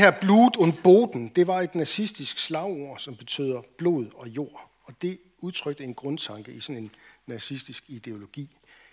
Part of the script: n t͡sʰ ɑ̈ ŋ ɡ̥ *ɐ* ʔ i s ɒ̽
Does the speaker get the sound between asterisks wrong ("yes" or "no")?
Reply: yes